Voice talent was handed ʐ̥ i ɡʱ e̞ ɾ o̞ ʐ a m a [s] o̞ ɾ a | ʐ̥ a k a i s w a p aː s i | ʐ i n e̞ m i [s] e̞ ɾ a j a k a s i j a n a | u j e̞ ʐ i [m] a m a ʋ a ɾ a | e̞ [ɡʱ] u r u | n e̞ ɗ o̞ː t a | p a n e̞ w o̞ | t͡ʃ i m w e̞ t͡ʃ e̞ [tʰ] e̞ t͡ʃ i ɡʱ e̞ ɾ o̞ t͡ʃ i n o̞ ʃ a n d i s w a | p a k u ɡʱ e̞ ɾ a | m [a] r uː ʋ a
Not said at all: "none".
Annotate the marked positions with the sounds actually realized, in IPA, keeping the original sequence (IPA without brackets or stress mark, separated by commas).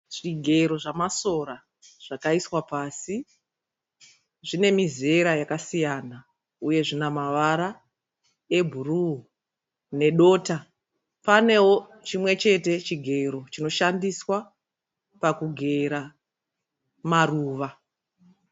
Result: s, z, n, bʱ, t, a